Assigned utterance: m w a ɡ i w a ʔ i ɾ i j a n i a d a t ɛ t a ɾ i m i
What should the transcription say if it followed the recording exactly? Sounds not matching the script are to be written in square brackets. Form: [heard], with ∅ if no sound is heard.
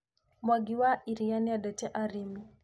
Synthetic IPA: m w a ɡ i w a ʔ i ɾ i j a n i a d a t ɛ [ʔ] a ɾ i m i